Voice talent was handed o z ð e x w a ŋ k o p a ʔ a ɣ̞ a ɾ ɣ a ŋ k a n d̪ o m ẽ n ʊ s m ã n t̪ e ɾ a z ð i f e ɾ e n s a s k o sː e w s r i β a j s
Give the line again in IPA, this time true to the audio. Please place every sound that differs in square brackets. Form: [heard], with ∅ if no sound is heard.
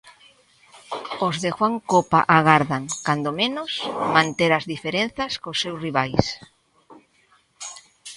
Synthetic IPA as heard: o z ð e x w a ŋ k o p a ʔ a ɣ̞ a ɾ [ð] a ŋ k a n d̪ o m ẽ n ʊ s m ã n t̪ e ɾ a z ð i f e ɾ e n [θ] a s k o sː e w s r i β a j s